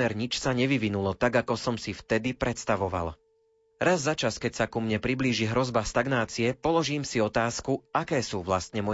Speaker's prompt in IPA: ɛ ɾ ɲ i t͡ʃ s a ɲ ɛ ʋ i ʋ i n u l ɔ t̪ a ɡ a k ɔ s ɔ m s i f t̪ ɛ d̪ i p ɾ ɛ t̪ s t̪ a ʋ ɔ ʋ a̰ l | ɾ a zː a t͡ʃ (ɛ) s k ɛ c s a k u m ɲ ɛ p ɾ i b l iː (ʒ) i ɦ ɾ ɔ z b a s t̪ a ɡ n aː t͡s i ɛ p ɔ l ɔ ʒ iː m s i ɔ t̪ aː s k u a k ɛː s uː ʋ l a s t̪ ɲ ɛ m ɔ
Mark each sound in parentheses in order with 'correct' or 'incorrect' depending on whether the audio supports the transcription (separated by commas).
incorrect, correct